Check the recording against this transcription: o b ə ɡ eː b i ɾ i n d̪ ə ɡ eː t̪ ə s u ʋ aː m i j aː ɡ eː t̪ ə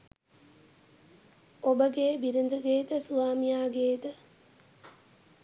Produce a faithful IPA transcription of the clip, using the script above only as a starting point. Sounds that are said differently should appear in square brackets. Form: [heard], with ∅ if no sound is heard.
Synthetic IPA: o b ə ɡ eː b i ɾ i n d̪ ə ɡ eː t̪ ə s u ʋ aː m i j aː ɡ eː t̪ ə